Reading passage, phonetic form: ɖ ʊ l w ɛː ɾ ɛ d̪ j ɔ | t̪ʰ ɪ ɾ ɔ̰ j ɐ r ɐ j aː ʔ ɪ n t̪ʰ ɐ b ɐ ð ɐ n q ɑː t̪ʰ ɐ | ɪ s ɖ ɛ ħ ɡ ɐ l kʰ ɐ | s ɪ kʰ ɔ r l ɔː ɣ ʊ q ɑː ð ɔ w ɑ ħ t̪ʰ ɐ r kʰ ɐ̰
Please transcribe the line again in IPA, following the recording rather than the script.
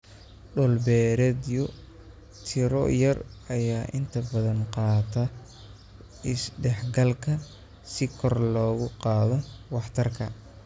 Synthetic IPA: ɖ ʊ l b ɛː ɾ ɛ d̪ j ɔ | t̪ʰ ɪ ɾ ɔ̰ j ɐ r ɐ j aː ʔ ɪ n t̪ʰ ɐ b ɐ ð ɐ n q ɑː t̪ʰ ɐ | ɪ s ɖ ɛ ħ ɡ ɐ l kʰ ɐ | s ɪ kʰ ɔ r l ɔː ɣ ʊ q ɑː ð ɔ w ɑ ħ t̪ʰ ɐ r kʰ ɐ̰

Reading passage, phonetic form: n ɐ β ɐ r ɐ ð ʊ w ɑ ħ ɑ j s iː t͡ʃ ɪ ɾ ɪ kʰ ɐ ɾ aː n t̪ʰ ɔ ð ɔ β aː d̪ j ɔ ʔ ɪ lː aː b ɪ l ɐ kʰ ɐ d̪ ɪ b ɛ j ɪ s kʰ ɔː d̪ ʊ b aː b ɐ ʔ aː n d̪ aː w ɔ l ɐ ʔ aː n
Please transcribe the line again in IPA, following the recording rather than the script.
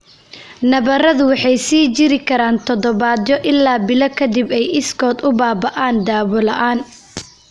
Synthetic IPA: n ɐ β ɐ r ɐ ð ʊ w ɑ ħ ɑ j s iː t͡ʃ ɪ ɾ ɪ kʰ ɐ ɾ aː n t̪ʰ ɔ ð ɔ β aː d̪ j ɔ ʔ ɪ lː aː b ɪ l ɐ kʰ ɐ d̪ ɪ b ɛ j ɪ s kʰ ɔː d̪ ʊ b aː b ɐ ʔ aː n d̪ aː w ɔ l ɐ ʔ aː n

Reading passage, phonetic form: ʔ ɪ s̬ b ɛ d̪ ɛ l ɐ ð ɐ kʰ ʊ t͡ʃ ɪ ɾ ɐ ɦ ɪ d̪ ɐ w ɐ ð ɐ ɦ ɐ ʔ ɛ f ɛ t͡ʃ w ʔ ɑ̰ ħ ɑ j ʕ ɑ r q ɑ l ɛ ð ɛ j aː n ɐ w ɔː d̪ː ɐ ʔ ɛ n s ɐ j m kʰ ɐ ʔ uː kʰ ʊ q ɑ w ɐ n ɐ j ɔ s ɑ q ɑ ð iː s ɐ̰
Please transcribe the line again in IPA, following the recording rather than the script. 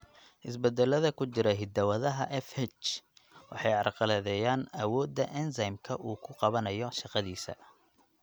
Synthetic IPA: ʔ ɪ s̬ b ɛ d̪ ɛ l ɐ ð ɐ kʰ ʊ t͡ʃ ɪ ɾ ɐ ɦ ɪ d̪ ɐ w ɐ ð ɐ ɦ ɐ ʔ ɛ f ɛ t͡ʃ w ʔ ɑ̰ ħ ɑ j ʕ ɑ r q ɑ l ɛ ð ɛ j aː n ɐ w ɔː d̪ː ɐ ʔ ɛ n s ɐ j m kʰ ɐ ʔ uː kʰ ʊ q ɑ β ɐ n ɐ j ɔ ʃ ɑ q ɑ ð iː s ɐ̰

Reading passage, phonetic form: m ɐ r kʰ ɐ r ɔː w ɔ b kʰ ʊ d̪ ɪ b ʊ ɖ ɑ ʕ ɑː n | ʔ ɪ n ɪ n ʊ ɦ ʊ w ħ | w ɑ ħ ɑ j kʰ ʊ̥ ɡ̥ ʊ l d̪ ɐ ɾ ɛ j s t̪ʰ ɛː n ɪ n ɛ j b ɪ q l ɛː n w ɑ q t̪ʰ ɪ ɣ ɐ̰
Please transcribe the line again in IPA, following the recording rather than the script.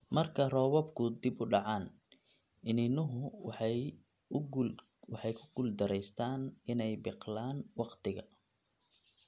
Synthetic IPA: m ɐ r kʰ ɐ r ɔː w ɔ b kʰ ʊ d̪ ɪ b ʊ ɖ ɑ ʕ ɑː n | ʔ ɪ n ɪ n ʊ ɦ ʊ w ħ | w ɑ ħ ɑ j kʰ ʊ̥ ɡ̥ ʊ l d̪ ɐ ɾ ɛ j s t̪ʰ aː n ɪ n ɛ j b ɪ q l aː n w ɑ q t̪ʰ ɪ ɣ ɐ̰

